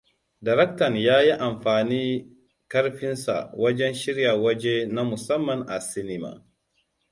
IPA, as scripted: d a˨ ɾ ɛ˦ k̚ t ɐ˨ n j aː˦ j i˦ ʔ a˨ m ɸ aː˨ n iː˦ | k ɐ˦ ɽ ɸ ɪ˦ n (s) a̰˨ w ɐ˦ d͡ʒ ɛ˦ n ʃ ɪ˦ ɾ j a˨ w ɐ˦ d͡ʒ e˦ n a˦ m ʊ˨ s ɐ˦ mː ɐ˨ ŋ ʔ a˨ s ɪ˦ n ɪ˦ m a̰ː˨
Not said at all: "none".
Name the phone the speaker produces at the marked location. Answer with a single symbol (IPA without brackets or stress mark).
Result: s